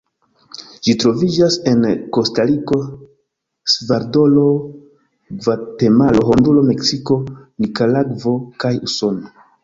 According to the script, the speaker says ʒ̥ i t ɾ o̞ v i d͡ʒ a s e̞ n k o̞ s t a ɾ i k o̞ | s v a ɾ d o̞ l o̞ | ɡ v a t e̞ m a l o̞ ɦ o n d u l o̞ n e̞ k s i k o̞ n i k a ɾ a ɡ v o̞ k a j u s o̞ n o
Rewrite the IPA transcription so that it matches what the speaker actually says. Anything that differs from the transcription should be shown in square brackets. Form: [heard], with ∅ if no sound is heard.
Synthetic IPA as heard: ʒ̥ i t ɾ o̞ v i d͡ʒ a s e̞ n k o̞ s t a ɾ i k o̞ | s v a ɾ d o̞ l o̞ | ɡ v a t e̞ m a l o̞ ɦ o n d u l o̞ [m] e̞ k s i k o̞ n i k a [l] a ɡ v o̞ k a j u s o̞ n o